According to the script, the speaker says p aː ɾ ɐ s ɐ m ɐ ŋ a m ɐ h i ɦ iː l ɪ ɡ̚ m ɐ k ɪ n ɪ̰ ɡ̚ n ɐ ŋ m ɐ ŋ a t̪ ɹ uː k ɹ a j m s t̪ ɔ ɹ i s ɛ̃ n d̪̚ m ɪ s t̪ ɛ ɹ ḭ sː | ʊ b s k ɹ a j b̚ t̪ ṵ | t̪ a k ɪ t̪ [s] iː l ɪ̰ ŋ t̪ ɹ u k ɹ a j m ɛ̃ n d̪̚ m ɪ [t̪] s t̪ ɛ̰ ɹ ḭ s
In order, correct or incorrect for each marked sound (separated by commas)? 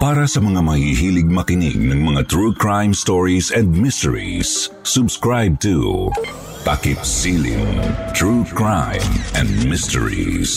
correct, incorrect